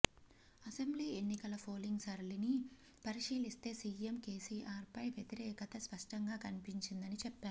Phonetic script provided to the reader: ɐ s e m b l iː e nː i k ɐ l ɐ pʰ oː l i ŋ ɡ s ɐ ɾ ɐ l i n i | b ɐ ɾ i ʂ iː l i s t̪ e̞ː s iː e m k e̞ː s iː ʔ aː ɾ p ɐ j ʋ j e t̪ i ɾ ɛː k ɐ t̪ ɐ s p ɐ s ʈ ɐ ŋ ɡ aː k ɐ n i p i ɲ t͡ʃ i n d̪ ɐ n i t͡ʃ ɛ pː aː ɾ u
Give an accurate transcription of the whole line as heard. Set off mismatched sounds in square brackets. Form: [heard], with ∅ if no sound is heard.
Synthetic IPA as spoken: ɐ s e m b l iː e nː i k ɐ l ɐ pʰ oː l i ŋ ɡ s ɐ ɾ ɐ l i n i | [p] ɐ ɾ i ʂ iː l i s t̪ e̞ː s iː e m k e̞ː s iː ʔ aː ɾ p ɐ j ʋ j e t̪ i ɾ ɛː k ɐ t̪ ɐ s p ɐ [ʂ] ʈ ɐ ŋ ɡ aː k ɐ n i p i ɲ t͡ʃ i n d̪ ɐ n i t͡ʃ ɛ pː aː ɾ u